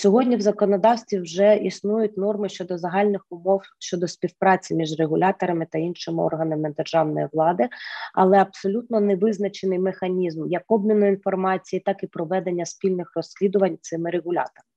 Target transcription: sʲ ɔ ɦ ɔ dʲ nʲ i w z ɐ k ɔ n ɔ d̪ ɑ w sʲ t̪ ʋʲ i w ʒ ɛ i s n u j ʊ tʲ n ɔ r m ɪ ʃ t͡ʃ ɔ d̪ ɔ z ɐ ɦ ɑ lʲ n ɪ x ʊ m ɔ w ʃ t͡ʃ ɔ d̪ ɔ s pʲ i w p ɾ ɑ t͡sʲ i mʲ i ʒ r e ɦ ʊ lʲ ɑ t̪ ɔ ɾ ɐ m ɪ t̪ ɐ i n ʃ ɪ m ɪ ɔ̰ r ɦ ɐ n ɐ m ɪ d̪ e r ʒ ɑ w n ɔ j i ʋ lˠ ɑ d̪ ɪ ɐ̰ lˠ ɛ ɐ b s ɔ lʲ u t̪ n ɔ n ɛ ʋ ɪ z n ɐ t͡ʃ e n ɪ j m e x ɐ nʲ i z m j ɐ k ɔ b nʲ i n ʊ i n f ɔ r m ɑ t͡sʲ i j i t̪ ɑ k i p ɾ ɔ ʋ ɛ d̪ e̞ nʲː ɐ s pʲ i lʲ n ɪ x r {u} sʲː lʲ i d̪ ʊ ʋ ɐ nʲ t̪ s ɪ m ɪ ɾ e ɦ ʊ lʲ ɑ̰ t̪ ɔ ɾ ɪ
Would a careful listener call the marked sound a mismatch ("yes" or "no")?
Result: yes